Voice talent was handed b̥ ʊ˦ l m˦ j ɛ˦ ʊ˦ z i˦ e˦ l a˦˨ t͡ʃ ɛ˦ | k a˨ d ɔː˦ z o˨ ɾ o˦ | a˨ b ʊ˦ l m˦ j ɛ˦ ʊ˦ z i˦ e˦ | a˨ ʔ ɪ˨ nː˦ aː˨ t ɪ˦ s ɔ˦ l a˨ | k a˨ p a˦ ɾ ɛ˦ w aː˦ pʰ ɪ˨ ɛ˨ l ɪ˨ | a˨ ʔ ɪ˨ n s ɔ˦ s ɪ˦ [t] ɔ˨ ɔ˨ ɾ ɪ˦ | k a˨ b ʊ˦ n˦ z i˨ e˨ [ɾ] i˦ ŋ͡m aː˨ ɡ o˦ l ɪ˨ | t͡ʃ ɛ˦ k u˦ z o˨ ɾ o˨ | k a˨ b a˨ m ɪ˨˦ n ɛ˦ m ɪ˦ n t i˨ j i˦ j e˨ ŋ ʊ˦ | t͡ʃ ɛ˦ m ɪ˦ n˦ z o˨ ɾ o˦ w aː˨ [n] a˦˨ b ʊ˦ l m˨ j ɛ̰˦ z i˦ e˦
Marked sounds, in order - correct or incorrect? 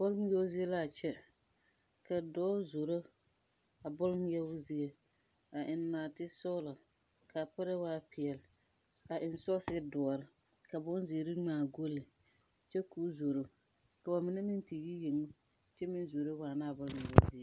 incorrect, correct, correct

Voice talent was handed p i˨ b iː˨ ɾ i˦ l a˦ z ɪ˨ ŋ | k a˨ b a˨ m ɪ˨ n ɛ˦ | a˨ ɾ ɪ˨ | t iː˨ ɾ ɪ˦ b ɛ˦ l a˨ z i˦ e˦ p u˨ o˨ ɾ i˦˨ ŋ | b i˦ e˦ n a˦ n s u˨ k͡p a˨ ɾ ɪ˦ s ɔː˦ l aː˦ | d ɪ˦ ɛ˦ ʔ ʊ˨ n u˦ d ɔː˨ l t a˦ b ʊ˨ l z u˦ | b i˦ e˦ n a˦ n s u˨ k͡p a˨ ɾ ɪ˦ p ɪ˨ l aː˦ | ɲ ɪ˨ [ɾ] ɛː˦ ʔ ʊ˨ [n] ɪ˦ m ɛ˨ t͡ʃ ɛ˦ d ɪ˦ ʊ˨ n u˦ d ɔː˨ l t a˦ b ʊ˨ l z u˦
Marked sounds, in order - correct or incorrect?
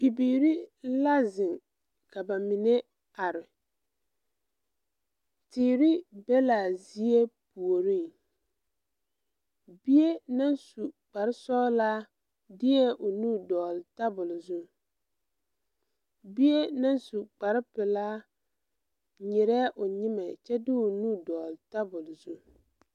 correct, incorrect

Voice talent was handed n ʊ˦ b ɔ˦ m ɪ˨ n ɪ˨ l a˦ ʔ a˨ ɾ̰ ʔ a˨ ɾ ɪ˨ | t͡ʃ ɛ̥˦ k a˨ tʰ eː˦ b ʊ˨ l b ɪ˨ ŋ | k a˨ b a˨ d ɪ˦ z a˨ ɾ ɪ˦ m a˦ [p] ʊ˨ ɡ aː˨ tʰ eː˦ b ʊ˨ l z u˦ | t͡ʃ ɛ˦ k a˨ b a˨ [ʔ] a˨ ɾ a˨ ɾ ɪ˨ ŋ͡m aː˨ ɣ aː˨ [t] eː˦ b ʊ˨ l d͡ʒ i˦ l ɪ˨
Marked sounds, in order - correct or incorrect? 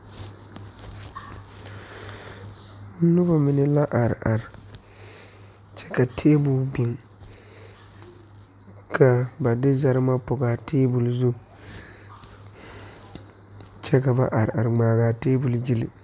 correct, correct, correct

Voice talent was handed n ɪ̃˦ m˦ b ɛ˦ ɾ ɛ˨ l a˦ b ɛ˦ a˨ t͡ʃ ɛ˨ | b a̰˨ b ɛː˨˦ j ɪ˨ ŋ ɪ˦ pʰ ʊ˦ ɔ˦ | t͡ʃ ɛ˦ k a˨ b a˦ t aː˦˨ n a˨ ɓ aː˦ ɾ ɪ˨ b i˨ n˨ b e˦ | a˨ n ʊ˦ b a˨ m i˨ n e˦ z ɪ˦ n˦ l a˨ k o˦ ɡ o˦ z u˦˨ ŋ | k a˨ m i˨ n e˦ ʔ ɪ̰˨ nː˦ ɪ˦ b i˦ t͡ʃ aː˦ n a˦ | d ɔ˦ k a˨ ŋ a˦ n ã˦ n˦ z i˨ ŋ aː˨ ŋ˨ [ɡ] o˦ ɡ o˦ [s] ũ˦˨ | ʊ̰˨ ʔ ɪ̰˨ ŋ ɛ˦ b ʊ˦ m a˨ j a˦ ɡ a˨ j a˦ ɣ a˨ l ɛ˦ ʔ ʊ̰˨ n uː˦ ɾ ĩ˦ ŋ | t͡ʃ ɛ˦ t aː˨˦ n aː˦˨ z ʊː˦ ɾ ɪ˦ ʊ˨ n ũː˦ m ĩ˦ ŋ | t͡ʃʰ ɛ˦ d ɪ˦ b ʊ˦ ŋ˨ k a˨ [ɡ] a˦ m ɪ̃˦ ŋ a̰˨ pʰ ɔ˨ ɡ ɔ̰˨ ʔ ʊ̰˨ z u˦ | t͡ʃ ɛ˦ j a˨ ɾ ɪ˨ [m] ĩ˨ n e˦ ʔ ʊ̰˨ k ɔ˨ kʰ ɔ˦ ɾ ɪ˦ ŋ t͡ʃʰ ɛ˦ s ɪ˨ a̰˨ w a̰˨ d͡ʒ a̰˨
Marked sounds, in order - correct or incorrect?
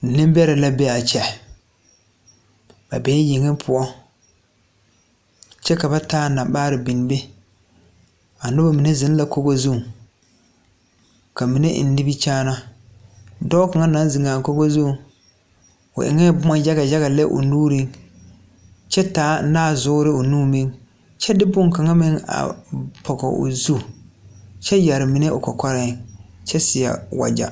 incorrect, incorrect, incorrect, correct

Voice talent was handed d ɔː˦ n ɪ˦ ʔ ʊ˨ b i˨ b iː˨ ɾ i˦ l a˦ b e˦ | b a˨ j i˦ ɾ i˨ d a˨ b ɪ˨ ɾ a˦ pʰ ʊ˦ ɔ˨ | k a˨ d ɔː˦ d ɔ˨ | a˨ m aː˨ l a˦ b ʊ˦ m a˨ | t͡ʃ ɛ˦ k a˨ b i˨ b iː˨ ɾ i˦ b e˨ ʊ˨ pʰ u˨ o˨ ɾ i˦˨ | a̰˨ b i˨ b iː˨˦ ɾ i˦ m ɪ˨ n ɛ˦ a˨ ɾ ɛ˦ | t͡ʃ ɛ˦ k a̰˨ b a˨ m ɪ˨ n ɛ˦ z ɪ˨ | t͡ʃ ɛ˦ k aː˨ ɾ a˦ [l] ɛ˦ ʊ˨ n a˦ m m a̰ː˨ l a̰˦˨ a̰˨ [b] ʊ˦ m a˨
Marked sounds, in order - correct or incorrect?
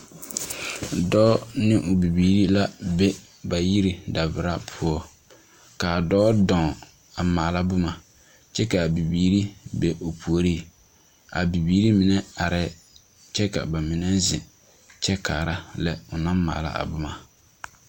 correct, correct

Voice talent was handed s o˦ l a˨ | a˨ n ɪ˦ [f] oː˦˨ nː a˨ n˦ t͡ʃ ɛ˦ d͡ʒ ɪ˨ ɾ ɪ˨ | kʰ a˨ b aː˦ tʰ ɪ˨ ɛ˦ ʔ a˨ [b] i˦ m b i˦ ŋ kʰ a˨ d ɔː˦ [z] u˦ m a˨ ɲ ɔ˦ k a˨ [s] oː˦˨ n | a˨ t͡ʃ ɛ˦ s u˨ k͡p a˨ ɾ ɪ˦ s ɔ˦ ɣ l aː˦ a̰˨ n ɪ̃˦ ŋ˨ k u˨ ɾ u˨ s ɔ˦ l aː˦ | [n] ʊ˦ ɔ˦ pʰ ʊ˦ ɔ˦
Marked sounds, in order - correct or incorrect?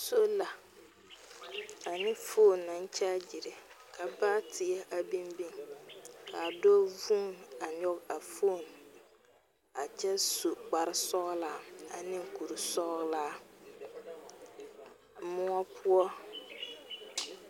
correct, correct, incorrect, incorrect, incorrect

